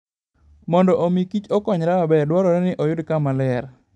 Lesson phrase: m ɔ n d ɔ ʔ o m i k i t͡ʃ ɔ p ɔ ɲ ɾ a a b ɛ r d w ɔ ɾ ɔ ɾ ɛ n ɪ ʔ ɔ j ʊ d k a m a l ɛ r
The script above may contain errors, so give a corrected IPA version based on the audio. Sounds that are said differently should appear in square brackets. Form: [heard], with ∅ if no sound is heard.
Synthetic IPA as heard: m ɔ n d ɔ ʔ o m i k i t͡ʃ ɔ [k] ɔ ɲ ɾ a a b ɛ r d w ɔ ɾ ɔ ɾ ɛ n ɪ ʔ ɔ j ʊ d k a m a l ɛ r